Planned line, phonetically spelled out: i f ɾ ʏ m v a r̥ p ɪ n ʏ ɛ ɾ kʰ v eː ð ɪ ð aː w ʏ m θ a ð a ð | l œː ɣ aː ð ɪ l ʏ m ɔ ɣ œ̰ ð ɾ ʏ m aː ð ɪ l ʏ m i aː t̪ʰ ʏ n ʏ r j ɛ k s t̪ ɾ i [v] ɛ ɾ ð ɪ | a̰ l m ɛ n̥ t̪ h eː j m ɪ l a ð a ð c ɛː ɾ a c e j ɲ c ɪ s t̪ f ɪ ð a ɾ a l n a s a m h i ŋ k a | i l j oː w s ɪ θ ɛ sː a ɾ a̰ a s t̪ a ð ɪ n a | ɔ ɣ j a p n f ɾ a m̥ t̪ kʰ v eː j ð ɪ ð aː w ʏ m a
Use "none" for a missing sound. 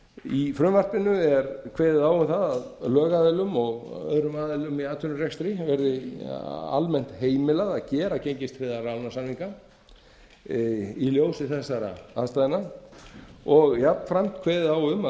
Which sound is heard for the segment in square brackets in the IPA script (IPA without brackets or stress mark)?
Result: v